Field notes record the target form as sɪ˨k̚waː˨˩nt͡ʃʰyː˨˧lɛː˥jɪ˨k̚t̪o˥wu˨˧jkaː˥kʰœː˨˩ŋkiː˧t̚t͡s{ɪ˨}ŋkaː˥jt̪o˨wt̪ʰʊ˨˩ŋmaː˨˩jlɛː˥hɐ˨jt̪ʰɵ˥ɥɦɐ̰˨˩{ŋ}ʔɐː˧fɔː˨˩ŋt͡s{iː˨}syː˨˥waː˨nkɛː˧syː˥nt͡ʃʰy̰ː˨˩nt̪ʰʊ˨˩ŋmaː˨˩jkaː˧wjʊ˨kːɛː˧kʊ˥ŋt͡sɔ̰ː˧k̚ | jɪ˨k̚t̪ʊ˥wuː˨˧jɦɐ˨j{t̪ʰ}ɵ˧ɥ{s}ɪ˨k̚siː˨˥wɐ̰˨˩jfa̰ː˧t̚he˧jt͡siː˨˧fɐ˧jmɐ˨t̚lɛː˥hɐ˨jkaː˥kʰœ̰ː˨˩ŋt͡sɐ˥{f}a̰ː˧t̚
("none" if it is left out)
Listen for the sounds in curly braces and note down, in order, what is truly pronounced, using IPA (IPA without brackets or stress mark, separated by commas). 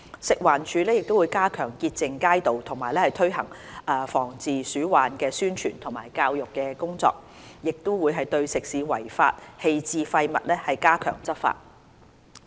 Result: ɪ˨, ŋ, iː˨, t̪, s, f